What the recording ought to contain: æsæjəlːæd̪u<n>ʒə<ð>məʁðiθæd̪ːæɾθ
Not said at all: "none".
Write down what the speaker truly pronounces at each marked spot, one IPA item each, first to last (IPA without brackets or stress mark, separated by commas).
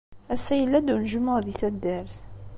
n, none